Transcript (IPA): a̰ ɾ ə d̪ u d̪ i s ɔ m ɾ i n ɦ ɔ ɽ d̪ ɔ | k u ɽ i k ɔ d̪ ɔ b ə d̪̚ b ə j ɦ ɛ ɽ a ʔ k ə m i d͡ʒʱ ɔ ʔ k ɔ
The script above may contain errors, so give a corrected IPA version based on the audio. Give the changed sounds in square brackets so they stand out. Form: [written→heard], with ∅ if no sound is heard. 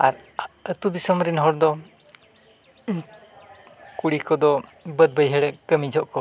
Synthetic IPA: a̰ ɾ ə [d̪→t̪] u d̪ i s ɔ m ɾ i n ɦ ɔ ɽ d̪ ɔ | k u ɽ i k ɔ d̪ ɔ b ə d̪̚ b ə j ɦ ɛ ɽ [a→ɛ] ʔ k ə m i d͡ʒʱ ɔ ʔ k ɔ